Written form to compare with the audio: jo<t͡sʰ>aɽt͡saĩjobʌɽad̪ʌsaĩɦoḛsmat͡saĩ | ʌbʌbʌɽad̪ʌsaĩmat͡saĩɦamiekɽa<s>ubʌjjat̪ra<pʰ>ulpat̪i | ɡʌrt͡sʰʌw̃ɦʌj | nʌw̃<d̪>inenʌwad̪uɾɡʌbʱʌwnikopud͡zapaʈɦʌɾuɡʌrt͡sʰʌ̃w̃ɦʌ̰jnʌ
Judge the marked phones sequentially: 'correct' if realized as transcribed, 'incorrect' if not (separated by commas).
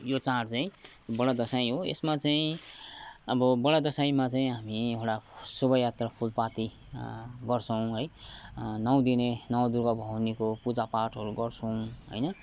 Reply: incorrect, correct, correct, correct